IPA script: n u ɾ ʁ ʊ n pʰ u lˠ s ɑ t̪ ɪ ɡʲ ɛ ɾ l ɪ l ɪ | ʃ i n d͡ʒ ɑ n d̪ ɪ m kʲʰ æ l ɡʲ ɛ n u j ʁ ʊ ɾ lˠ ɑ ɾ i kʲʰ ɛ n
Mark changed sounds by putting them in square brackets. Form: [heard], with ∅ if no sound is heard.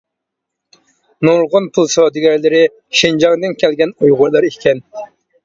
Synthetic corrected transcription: n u ɾ ʁ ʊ n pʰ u lˠ s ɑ [d̪] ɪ ɡʲ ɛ ɾ l ɪ [ɾ] ɪ | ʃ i n d͡ʒ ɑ [ŋ] d̪ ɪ [n] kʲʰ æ l ɡʲ ɛ n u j ʁ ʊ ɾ lˠ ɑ ɾ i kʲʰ ɛ n